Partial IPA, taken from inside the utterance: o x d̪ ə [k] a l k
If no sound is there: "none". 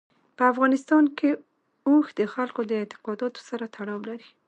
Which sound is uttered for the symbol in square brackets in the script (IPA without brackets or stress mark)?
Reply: x